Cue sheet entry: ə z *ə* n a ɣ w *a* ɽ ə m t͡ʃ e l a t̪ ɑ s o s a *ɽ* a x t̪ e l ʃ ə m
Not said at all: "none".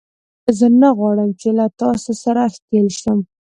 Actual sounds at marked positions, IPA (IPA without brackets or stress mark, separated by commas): ə, ɑ, ɾ